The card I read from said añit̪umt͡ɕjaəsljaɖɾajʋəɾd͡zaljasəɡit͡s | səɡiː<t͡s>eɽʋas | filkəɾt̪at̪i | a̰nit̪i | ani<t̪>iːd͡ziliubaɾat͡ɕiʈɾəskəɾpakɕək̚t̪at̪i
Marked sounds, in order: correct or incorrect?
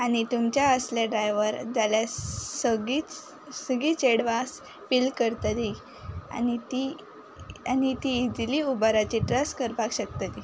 correct, correct

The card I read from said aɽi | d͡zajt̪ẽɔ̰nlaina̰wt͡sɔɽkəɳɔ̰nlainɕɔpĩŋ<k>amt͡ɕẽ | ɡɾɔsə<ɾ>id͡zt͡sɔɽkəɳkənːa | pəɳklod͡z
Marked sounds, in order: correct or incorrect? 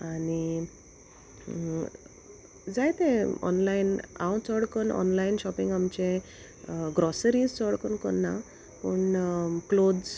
incorrect, correct

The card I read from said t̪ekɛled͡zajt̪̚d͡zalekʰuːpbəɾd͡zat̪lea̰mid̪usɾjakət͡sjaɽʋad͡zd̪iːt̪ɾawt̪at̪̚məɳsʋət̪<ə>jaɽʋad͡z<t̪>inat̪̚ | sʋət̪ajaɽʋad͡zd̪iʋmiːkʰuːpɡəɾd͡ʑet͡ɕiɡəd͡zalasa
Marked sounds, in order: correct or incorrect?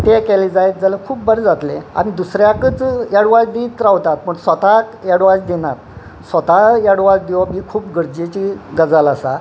incorrect, incorrect

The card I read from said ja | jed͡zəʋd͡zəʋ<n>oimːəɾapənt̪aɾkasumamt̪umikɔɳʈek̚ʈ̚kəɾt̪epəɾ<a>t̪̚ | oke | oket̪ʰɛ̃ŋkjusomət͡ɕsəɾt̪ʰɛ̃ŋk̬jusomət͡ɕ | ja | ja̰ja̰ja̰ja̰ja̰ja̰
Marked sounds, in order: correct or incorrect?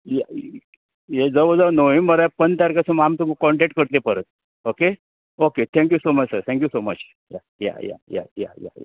correct, incorrect

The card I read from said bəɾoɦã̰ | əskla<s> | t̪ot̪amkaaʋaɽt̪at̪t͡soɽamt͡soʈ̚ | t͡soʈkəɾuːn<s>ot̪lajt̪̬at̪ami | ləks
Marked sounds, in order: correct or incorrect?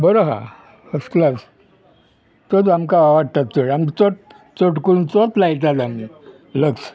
correct, incorrect

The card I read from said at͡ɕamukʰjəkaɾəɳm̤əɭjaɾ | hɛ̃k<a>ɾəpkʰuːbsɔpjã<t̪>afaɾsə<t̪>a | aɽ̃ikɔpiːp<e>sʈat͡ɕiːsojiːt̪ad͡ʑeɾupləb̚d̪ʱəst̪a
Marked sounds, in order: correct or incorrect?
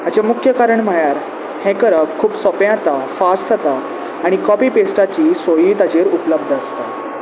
incorrect, correct, correct, correct

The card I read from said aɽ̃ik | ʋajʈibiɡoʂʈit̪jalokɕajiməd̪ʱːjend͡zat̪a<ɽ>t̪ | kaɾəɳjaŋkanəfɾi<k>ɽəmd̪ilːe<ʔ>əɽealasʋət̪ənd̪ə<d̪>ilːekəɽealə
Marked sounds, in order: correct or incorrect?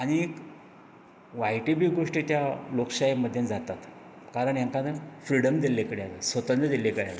incorrect, incorrect, incorrect, correct

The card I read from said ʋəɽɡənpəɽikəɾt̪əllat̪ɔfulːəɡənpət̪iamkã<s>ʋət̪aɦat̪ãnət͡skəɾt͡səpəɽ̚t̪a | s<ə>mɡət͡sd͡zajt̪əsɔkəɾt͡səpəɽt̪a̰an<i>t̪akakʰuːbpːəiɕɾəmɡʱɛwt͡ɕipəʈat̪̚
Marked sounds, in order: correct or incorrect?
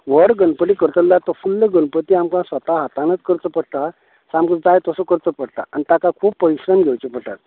correct, incorrect, correct

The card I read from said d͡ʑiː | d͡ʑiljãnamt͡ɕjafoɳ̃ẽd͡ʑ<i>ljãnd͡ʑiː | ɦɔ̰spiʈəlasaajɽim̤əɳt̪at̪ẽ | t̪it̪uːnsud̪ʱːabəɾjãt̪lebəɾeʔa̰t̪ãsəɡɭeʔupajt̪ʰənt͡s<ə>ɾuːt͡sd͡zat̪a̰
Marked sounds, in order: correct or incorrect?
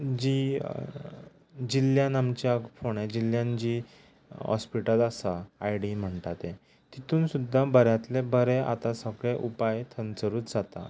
correct, correct

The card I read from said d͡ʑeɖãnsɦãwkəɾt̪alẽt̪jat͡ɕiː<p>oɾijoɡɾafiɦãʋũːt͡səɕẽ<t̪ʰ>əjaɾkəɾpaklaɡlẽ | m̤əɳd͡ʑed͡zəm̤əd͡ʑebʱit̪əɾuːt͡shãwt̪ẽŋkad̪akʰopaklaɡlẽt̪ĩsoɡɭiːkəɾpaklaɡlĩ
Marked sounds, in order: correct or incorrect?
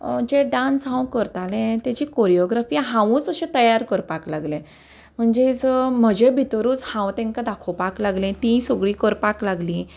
incorrect, incorrect

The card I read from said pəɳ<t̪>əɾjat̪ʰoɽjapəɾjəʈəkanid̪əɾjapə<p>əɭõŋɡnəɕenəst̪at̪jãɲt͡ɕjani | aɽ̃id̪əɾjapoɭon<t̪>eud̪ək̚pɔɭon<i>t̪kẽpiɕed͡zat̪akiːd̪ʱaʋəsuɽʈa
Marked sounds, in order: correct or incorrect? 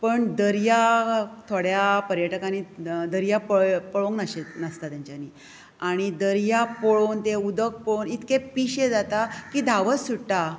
incorrect, correct, correct, correct

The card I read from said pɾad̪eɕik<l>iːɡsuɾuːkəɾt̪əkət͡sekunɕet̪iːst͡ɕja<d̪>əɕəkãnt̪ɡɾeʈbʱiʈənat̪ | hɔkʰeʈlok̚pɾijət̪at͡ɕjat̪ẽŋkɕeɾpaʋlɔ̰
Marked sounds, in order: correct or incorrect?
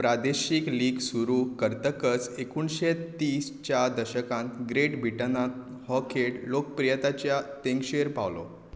correct, correct

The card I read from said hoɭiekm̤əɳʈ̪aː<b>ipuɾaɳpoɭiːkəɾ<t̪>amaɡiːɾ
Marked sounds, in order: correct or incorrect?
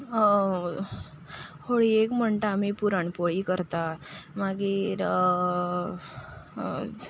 incorrect, correct

